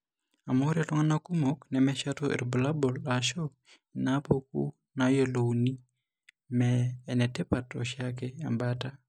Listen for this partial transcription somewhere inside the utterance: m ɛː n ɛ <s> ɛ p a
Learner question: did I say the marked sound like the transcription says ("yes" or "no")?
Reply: no